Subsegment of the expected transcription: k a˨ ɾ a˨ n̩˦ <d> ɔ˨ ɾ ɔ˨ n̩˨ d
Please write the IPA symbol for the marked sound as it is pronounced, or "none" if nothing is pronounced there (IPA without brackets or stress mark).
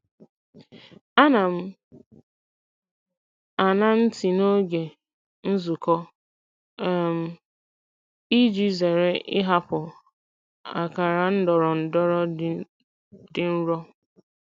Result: d